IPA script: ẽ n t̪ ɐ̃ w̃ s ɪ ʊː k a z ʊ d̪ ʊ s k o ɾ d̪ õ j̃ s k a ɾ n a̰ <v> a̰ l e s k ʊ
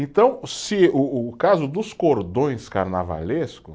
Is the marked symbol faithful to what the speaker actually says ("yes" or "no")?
yes